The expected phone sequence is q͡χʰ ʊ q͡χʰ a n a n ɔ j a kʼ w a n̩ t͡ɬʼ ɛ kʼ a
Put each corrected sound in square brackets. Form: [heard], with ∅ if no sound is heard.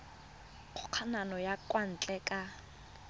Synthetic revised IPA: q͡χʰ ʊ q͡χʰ a n a n ɔ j a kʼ w a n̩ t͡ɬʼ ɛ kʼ a